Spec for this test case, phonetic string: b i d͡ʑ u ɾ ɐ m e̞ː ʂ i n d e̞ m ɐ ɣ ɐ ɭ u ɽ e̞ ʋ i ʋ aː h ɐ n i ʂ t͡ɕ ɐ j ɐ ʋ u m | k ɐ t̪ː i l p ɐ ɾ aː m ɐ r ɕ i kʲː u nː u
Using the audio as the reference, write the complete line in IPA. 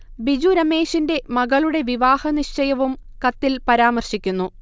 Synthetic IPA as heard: b i d͡ʑ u ɾ ɐ m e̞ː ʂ i n d e̞ m ɐ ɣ ɐ ɭ u ɽ e̞ ʋ i ʋ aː h ɐ n i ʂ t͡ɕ ɐ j ɐ ʋ u m | k ɐ t̪ː i l p ɐ ɾ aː m ɐ r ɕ i kʲː u nː u

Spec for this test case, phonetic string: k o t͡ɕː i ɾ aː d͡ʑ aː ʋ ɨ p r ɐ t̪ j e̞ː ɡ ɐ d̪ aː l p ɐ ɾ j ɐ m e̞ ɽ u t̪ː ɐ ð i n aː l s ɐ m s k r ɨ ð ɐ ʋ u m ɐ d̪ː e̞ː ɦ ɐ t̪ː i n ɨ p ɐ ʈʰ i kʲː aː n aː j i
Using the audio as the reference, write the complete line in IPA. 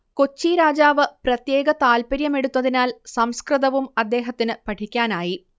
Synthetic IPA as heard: k o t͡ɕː i ɾ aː d͡ʑ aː ʋ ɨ p r ɐ t̪ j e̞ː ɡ ɐ t̪ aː l p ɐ ɾ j ɐ m e̞ ɽ u t̪ː ɐ ð i n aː l s ɐ m s k r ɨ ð ɐ ʋ u m ɐ d̪ː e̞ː ɦ ɐ t̪ː i n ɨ p ɐ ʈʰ i kʲː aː n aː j i

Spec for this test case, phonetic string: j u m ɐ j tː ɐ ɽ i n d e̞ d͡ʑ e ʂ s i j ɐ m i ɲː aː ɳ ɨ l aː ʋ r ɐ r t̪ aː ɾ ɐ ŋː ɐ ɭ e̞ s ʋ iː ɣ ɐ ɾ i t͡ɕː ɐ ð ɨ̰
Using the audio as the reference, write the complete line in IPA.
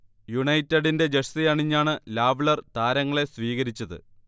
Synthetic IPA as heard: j u ɳ ɐ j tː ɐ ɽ i n d e̞ d͡ʑ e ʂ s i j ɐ ɳ i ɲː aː ɳ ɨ l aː ʋ ɭ ɐ r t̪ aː ɾ ɐ ŋː ɐ ɭ e̞ s ʋ iː ɣ ɐ ɾ i t͡ɕː ɐ ð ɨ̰

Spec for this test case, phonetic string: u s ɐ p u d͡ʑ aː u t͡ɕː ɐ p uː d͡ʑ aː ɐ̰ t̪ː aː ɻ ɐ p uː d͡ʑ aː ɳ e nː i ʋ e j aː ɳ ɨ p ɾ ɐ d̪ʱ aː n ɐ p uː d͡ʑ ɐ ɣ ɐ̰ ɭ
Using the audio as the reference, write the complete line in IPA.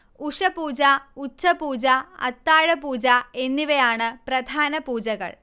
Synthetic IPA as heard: u ʂ ɐ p uː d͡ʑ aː u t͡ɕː ɐ p uː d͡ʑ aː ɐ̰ t̪ː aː ɻ ɐ p uː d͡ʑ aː e nː i ʋ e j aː ɳ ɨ p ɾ ɐ d̪ʱ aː n ɐ p uː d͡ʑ ɐ ɣ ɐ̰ ɭ

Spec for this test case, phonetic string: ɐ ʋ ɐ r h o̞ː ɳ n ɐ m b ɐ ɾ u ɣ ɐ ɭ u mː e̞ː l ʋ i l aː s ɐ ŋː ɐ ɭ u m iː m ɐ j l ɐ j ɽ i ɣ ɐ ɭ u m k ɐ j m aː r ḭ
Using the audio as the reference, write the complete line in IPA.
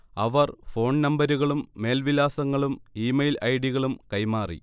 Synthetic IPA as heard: ɐ ʋ ɐ r f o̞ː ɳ n ɐ m b ɐ ɾ u ɣ ɐ ɭ u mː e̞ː l ʋ i l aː s ɐ ŋː ɐ ɭ u m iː m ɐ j l ɐ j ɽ i ɣ ɐ ɭ u m k ɐ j m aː r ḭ

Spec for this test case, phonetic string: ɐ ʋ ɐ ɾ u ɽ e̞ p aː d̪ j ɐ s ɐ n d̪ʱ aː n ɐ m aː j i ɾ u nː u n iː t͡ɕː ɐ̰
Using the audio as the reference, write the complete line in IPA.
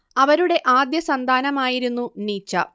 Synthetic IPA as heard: ɐ ʋ ɐ ɾ u ɽ e̞ ʔ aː d̪ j ɐ s ɐ n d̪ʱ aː n ɐ m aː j i ɾ u nː u n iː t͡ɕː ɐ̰

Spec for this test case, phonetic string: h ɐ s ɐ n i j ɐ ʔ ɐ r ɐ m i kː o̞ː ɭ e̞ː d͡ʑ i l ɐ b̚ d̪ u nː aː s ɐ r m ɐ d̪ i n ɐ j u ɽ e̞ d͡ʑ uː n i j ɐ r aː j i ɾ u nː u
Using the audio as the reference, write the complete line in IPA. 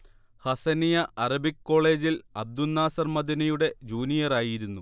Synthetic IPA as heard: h ɐ s ɐ n i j ɐ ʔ ɐ r ɐ b i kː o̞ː ɭ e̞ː d͡ʑ i l ɐ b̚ d̪ u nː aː s ɐ r m ɐ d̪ i n ɐ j u ɽ e̞ d͡ʑ uː n i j ɐ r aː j i ɾ u nː u

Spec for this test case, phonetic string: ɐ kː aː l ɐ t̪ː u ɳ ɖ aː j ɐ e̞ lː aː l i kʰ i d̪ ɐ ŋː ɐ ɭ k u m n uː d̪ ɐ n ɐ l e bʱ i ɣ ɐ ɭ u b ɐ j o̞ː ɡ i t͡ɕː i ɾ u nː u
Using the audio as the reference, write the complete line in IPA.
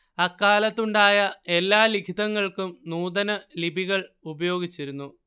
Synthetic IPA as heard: ɐ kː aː l ɐ t̪ː u ɳ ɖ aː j ɐ e̞ lː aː l i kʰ i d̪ ɐ ŋː ɐ ɭ k u m n uː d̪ ɐ n ɐ l i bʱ i ɣ ɐ ɭ u b ɐ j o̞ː ɡ i t͡ɕː i ɾ u nː u

